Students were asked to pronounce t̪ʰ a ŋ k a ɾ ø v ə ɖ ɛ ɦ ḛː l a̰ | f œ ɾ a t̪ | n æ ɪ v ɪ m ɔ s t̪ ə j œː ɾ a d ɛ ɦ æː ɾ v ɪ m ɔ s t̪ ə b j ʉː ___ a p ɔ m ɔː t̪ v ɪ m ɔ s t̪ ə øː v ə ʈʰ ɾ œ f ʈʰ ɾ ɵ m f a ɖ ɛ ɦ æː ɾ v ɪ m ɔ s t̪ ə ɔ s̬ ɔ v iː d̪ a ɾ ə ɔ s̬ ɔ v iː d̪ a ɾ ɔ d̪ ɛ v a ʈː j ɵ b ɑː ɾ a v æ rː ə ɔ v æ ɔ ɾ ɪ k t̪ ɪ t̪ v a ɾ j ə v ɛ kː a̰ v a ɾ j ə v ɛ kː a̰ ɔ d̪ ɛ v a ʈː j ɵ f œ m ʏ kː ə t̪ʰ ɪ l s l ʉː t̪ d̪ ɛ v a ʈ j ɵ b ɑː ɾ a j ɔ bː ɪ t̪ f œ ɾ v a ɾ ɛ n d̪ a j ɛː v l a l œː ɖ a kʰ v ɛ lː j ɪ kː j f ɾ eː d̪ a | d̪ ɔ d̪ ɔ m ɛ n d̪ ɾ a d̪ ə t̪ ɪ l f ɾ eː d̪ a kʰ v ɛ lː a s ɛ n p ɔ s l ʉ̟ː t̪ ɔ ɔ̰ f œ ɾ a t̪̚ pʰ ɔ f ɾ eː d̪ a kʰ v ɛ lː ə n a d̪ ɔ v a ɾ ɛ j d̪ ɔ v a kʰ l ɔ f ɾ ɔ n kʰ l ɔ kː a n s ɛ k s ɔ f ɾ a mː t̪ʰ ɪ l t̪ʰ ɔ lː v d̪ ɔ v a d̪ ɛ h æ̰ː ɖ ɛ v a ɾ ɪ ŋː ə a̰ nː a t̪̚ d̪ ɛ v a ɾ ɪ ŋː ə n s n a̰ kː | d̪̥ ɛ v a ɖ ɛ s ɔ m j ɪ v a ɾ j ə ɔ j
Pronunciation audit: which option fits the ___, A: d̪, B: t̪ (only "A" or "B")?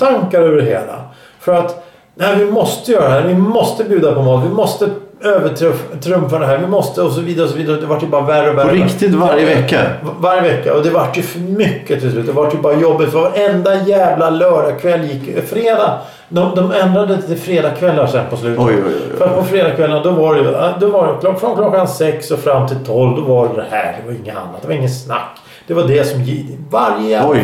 A